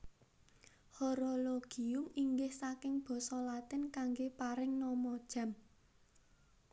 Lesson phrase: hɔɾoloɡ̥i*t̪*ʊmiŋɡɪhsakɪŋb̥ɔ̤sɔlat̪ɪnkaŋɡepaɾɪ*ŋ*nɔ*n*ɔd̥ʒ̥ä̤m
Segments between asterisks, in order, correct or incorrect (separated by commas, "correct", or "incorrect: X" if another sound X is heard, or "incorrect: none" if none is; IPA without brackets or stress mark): incorrect: none, correct, incorrect: m